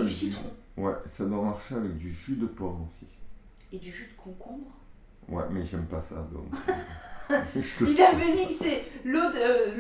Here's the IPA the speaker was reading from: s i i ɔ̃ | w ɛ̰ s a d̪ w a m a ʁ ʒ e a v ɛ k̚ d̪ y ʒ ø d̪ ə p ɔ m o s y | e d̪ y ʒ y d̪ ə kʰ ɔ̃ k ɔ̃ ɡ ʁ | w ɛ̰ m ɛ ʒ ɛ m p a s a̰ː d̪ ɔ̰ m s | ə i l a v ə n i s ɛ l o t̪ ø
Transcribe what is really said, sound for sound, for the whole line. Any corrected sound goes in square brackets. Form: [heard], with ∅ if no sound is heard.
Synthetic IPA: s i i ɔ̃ | w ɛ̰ s a d̪ w a m a ʁ [ʃ] e a v ɛ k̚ d̪ y ʒ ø d̪ ə p ɔ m o s [i] | e d̪ y ʒ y d̪ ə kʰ ɔ̃ k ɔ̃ [b] ʁ | w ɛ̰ m ɛ ʒ ɛ m p a s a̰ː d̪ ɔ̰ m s | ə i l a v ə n i s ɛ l o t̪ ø